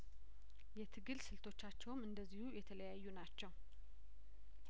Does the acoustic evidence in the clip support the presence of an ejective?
no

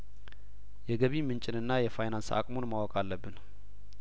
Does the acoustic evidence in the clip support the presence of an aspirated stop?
no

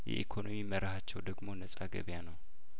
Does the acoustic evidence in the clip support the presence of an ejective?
yes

